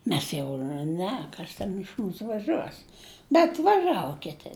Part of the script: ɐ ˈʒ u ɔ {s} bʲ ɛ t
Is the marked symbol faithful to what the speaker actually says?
yes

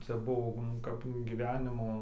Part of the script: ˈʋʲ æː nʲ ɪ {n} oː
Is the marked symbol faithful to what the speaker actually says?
no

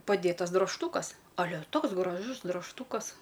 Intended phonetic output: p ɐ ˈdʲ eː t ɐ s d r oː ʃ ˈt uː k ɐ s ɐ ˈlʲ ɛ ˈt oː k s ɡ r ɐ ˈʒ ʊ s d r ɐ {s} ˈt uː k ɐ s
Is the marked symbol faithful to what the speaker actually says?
no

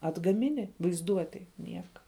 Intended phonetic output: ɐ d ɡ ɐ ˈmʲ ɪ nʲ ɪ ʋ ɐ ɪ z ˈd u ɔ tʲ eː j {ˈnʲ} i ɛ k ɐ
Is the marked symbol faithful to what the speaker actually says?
yes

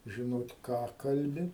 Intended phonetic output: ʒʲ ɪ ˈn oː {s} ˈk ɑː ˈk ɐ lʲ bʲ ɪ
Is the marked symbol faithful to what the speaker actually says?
no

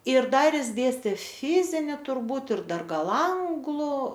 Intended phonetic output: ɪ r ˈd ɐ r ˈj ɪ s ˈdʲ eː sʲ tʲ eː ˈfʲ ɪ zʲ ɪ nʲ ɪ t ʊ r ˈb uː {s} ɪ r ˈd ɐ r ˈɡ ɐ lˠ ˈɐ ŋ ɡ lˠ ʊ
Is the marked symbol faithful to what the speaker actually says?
no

